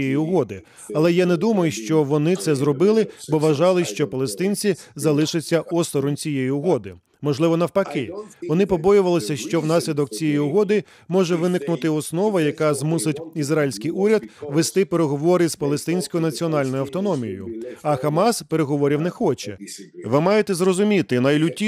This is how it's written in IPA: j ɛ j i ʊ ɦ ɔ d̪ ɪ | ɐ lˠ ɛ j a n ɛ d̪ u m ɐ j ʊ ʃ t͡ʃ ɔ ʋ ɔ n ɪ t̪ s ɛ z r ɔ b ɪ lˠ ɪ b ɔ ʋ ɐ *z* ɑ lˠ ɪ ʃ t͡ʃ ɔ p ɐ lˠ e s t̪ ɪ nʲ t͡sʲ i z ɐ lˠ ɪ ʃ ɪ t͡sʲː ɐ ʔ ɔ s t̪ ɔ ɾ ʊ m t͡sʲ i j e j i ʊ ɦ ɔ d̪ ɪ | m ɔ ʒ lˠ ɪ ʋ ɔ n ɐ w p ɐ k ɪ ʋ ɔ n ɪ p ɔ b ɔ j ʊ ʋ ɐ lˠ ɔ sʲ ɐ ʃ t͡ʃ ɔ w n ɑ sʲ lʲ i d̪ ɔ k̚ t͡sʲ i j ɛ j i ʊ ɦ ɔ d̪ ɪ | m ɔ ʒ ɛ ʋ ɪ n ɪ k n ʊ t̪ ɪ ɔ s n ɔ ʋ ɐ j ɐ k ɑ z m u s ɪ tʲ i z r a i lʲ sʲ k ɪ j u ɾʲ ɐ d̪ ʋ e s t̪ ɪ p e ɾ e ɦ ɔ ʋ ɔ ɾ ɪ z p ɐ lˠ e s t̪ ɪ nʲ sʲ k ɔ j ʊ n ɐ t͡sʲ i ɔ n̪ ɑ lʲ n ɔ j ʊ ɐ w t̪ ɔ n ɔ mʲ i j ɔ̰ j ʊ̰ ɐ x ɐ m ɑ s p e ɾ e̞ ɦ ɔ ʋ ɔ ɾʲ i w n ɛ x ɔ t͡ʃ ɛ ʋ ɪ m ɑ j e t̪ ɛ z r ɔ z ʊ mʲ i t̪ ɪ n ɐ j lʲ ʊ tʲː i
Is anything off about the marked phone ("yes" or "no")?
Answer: yes